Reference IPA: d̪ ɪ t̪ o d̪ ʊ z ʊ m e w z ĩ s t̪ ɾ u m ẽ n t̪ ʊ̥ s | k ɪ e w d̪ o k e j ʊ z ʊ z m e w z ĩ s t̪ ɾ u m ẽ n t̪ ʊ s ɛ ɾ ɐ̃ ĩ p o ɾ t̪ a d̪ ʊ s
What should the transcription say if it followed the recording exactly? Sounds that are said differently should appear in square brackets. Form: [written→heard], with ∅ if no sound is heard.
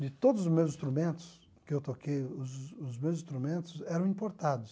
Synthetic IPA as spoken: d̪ ɪ t̪ o d̪ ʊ z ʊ m e w z ĩ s t̪ ɾ u m ẽ n t̪ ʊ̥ s | k ɪ e w [d̪→t̪] o k e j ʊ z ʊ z m e w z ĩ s t̪ ɾ u m ẽ n t̪ ʊ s ɛ ɾ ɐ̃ ĩ p o ɾ t̪ a d̪ ʊ s